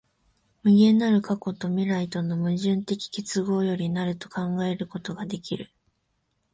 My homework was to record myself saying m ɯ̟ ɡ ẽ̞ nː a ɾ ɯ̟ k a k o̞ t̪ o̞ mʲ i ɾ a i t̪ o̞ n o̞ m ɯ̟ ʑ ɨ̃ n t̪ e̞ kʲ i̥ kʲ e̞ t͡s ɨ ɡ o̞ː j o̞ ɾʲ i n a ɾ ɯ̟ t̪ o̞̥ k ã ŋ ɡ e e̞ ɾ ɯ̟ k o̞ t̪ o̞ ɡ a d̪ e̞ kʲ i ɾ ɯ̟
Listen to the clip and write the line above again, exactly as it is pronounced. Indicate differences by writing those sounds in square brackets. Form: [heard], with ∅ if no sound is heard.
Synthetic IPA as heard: m ɯ̟ ɡ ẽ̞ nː a ɾ ɯ̟ k a k o̞ t̪ o̞ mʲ i ɾ a i t̪ o̞ n o̞ m ɯ̟ ʑ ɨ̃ n t̪ e̞ kʲ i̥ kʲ e̞ t͡s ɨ ɡ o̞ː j o̞ ɾʲ i n a ɾ ɯ̟ t̪ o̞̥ k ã ŋ ɡ [a] e̞ ɾ ɯ̟ k o̞ t̪ o̞ ɡ a d̪ e̞ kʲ i ɾ ɯ̟